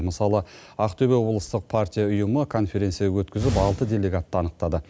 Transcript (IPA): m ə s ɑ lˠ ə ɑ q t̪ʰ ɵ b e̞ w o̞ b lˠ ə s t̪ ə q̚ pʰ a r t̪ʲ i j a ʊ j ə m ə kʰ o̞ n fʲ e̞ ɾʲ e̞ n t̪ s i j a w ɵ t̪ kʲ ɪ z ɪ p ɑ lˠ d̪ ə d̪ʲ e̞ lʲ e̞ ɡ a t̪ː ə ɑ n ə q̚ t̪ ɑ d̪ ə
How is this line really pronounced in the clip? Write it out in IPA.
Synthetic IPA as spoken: m ə s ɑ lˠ ə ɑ q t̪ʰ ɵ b e̞ w o̞ b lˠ ə s t̪ ə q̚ pʰ a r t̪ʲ i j a ʊ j ə m ə kʰ o̞ n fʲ e̞ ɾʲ e̞ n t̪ s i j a w ɵ t̪ kʲ ɪ z ɪ p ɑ lˠ t̪ ə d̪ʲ e̞ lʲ e̞ ɡ a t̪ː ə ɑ n ə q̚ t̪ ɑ d̪ ə